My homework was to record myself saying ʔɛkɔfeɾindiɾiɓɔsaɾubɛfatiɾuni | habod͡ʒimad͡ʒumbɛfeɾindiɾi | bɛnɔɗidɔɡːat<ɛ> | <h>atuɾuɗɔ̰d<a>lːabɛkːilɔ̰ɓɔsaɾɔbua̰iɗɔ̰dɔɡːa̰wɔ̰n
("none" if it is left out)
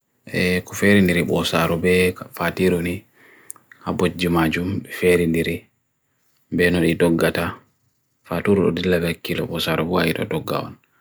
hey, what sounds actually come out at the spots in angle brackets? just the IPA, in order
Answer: a, f, i

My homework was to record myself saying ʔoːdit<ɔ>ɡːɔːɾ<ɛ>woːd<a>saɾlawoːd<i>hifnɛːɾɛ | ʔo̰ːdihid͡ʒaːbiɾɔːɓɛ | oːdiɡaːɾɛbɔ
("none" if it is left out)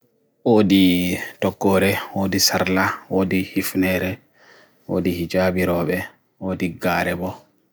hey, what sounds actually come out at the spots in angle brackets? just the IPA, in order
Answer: ɔ, ɛ, i, i

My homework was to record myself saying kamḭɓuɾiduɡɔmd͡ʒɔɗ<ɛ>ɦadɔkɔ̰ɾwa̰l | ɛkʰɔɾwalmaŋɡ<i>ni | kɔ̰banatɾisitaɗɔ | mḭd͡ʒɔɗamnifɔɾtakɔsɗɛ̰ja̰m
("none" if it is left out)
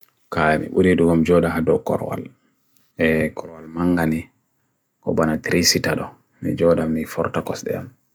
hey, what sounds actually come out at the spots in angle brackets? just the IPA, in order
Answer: a, a

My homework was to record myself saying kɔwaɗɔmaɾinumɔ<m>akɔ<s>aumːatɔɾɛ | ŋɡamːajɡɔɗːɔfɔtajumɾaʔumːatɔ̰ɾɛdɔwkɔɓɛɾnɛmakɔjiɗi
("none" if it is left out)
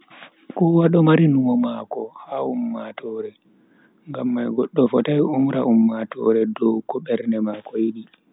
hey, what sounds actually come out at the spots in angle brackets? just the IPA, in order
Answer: m, h

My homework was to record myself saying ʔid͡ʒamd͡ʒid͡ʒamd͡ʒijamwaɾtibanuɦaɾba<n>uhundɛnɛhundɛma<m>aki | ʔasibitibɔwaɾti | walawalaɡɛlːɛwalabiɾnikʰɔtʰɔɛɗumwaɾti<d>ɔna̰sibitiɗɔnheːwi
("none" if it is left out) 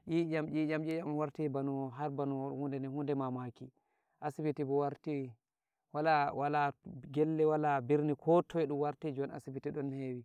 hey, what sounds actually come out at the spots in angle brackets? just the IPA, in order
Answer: n, m, d͡ʒ

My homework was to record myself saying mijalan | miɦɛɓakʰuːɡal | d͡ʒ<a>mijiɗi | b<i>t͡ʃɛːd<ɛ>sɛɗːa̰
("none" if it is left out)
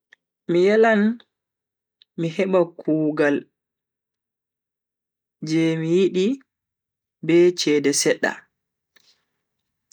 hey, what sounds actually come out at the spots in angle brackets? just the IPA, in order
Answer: ɛ, ɛ, ɛ

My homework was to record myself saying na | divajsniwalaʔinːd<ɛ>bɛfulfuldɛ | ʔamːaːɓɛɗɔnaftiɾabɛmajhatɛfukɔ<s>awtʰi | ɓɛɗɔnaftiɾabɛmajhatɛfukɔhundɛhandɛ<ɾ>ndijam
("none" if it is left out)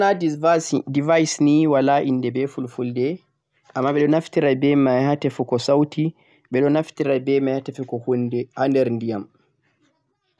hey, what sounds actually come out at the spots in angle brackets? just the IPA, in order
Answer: ɛ, s, ɾ

